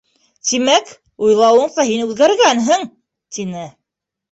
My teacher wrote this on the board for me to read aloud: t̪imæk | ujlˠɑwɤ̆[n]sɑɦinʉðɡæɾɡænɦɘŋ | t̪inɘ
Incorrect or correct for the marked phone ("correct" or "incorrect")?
incorrect